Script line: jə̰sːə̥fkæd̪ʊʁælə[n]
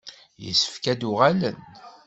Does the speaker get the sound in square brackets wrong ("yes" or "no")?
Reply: no